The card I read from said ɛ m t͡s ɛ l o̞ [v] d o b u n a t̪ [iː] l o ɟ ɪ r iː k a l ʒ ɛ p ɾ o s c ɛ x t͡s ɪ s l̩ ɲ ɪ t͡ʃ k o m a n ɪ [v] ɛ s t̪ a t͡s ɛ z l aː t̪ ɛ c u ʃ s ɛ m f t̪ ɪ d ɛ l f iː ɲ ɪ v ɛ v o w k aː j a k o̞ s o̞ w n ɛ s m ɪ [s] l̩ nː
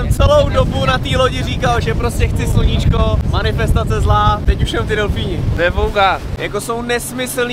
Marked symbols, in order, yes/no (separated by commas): no, yes, no, yes